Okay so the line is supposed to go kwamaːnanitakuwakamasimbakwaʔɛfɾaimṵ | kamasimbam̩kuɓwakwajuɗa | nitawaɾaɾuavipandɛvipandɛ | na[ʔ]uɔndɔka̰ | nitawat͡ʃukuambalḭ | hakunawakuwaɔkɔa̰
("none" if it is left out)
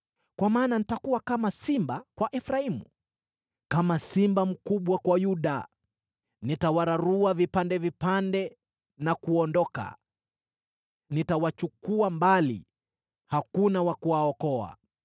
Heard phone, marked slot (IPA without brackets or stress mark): k